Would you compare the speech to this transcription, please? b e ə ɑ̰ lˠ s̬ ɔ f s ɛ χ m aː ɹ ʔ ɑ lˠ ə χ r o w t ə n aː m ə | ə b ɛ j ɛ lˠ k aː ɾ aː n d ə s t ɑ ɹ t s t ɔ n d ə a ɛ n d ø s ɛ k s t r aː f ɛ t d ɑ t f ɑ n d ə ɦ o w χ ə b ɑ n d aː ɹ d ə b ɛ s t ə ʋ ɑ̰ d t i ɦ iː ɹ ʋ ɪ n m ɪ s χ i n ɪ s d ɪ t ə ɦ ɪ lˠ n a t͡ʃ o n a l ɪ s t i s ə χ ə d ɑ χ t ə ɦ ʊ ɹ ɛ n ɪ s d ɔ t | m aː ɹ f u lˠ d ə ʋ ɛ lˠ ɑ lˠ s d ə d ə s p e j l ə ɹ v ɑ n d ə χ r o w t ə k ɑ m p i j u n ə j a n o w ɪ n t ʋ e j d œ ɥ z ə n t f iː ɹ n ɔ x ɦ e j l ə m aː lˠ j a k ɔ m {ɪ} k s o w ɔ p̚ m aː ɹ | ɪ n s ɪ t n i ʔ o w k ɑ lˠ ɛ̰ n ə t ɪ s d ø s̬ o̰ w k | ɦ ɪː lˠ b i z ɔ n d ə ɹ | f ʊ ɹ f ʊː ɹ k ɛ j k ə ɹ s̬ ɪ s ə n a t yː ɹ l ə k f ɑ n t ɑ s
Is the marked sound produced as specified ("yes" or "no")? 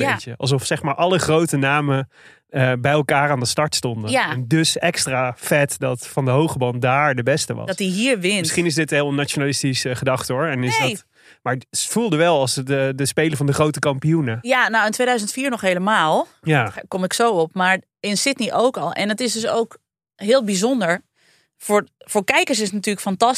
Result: yes